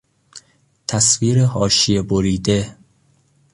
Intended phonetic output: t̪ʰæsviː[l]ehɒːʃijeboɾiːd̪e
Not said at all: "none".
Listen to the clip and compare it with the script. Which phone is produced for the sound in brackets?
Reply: ɾ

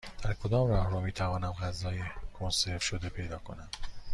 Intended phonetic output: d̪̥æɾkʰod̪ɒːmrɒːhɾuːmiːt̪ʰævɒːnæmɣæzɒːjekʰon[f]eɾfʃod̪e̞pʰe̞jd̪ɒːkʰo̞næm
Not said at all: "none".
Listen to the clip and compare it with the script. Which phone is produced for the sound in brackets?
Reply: s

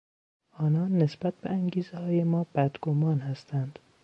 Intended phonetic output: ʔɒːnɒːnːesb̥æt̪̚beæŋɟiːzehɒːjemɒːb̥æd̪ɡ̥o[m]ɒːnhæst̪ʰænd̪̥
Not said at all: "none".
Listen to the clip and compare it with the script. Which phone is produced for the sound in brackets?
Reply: m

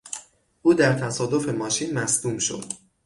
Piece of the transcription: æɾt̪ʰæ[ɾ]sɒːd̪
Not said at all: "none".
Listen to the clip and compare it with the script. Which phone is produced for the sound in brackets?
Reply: none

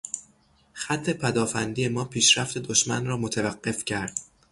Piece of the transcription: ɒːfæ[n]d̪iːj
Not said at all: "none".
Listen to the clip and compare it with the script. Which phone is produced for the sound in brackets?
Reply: n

